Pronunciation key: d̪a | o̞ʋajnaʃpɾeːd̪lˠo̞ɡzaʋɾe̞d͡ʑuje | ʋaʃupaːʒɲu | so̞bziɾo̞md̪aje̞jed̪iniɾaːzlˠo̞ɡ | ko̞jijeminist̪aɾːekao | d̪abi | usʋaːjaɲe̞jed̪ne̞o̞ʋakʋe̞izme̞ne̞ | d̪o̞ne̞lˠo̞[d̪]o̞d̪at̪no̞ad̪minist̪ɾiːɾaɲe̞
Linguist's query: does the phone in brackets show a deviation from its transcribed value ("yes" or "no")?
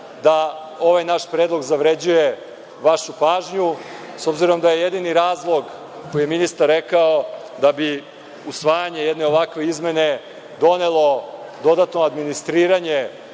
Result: no